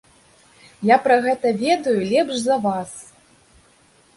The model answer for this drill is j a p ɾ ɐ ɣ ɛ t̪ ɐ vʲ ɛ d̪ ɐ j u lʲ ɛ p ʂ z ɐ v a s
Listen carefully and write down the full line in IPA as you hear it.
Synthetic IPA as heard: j a p ɾ ɐ ɣ ɛ t̪ ɐ vʲ ɛ d̪ ɐ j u lʲ ɛ p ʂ z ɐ v a s